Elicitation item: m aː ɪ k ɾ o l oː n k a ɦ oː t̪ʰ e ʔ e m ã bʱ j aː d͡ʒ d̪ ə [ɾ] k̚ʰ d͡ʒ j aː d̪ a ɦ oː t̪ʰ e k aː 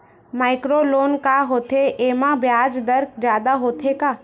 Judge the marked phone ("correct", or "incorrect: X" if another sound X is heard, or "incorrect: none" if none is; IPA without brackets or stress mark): correct